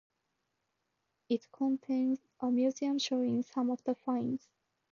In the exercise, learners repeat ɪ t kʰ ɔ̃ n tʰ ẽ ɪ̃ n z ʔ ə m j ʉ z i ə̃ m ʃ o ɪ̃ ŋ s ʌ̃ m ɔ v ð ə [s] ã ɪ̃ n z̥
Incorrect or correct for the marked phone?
incorrect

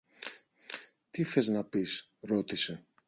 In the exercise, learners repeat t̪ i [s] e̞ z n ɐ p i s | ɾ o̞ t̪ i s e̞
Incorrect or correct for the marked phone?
incorrect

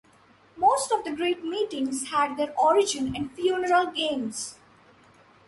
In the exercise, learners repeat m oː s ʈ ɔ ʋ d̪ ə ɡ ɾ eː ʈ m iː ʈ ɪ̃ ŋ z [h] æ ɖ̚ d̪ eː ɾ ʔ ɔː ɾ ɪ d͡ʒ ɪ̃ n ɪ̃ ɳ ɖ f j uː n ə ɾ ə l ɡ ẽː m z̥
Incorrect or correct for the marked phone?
correct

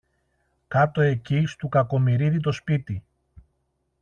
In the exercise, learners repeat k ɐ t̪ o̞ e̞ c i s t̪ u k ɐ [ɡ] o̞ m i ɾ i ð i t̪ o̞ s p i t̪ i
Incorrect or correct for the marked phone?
incorrect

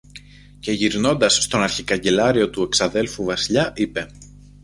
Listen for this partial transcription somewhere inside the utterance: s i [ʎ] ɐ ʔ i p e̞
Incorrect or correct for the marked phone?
correct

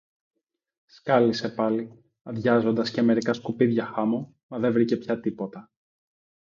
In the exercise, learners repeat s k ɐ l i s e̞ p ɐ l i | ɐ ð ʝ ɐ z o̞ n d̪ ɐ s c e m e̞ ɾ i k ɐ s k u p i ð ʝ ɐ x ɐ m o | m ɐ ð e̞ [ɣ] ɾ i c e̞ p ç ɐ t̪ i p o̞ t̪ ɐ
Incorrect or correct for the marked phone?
incorrect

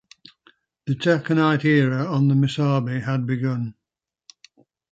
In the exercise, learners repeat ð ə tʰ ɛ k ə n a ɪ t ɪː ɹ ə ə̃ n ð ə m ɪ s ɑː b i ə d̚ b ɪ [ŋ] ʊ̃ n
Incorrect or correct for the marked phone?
incorrect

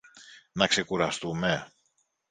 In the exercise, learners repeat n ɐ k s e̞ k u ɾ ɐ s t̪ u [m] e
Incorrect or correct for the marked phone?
correct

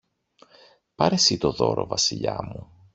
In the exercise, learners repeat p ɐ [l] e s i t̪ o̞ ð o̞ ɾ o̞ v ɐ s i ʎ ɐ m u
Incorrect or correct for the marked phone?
incorrect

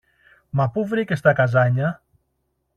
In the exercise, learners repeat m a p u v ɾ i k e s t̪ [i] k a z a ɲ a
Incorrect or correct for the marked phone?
incorrect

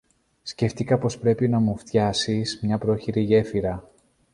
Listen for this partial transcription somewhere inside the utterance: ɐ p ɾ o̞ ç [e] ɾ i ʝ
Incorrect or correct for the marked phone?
incorrect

